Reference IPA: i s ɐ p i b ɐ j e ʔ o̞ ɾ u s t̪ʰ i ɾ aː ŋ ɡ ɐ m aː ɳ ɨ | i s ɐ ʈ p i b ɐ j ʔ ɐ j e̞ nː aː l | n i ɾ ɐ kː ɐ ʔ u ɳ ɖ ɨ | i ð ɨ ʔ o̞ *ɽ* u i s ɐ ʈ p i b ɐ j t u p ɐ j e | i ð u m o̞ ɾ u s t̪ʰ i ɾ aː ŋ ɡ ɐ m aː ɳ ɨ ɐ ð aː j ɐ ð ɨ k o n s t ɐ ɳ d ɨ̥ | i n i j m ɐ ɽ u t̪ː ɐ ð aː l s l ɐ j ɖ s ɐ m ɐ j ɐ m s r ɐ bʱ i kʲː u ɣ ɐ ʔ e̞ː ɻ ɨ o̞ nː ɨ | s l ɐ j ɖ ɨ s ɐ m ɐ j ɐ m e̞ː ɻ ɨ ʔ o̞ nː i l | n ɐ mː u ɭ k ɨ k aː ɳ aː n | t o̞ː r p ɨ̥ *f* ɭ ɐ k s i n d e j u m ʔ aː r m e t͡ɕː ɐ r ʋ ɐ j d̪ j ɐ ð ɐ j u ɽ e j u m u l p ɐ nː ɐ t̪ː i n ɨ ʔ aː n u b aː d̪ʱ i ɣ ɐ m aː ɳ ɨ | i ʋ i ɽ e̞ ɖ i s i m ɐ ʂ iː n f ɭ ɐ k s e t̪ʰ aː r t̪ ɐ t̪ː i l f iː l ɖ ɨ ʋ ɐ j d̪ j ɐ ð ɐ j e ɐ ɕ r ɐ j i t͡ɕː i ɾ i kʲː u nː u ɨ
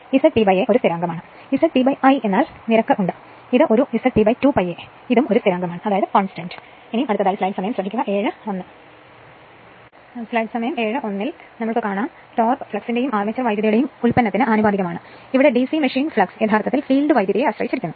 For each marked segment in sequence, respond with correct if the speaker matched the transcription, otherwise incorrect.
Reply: incorrect, correct

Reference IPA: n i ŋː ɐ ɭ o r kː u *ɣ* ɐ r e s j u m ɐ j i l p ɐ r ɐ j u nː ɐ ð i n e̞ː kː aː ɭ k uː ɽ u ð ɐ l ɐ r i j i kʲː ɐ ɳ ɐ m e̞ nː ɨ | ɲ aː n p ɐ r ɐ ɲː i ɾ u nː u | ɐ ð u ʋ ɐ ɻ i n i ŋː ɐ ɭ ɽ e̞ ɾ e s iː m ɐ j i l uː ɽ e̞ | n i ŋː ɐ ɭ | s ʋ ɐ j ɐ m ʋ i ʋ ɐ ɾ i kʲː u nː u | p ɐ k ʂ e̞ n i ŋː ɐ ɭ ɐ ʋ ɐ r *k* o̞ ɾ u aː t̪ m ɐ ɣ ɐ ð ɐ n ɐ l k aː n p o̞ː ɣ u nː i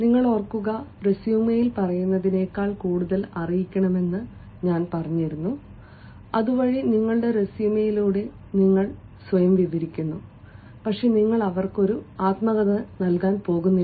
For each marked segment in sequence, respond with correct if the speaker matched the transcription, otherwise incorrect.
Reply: correct, correct

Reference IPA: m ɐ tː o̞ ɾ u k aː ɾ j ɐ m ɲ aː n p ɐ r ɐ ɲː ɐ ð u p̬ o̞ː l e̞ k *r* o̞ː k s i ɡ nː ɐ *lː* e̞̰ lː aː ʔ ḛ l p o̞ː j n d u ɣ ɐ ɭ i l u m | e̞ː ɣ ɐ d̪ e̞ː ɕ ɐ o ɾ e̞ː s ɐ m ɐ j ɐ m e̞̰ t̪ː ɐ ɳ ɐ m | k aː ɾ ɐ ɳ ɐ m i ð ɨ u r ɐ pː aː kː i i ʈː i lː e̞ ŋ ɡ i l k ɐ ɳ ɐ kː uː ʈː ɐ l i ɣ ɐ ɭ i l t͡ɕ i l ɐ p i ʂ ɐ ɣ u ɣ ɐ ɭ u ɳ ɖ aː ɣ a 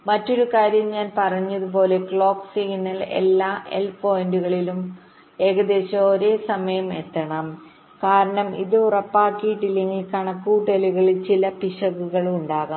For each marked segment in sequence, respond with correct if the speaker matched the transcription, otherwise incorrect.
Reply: incorrect, incorrect

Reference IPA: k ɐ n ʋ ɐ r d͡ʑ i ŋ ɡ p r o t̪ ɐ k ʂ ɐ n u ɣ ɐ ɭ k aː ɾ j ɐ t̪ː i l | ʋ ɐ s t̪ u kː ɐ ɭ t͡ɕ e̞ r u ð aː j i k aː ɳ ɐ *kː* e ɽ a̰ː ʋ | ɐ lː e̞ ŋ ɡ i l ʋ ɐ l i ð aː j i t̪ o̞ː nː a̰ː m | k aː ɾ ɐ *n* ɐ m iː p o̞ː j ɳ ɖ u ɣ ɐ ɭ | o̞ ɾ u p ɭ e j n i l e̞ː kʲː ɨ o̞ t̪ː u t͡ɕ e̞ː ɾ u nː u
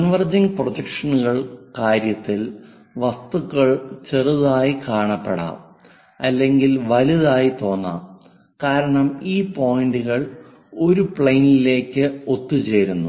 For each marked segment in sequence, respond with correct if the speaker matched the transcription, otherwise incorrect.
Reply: incorrect, incorrect

